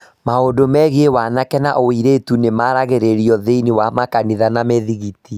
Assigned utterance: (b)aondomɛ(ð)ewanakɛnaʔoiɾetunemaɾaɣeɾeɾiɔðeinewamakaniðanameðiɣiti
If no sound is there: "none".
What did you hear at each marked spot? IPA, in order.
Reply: m, ɣ

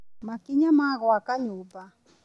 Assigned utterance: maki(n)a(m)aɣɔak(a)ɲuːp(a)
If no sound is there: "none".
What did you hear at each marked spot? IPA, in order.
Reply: ɲ, m, a, a

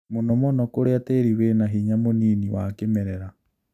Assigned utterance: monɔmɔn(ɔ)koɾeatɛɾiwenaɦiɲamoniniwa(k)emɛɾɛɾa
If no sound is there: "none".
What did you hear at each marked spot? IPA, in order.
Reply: ɔ, k

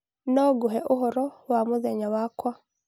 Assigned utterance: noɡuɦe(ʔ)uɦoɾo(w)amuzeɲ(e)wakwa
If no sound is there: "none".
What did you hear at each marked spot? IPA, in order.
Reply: ʔ, w, a

